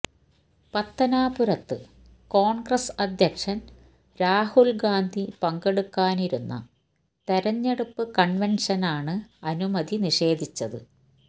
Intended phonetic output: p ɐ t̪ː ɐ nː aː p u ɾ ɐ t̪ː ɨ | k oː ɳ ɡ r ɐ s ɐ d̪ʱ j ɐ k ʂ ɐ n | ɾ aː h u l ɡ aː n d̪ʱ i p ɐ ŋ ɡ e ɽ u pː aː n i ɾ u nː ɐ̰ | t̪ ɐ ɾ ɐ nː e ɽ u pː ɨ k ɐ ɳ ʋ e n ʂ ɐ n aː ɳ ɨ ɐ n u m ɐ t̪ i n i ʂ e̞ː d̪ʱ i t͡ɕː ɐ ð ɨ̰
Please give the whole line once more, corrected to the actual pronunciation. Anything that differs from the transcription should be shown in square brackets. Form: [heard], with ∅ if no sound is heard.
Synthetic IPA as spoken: p ɐ t̪ː ɐ [n] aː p u ɾ ɐ t̪ː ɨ | k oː ɳ ɡ r ɐ s ɐ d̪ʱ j ɐ k ʂ ɐ n | ɾ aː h u l ɡ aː n d̪ʱ i p ɐ ŋ ɡ e ɽ u [kː] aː n i ɾ u nː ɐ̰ | t̪ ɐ ɾ ɐ [ɲː] e ɽ u pː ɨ k ɐ ɳ ʋ e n ʂ ɐ n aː ɳ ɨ ɐ n u m ɐ [d̪] i n i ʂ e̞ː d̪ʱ i t͡ɕː ɐ ð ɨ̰